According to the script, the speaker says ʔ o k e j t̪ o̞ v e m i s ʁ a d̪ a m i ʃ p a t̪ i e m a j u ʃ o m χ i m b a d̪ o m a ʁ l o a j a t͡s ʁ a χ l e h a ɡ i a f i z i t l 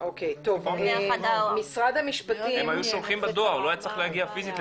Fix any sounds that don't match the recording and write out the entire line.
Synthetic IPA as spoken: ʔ o k e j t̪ o̞ v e m i s ʁ a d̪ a m i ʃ p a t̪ i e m a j u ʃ o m χ i m b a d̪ o a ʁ l o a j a t͡s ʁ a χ l e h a ɡ i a f i z i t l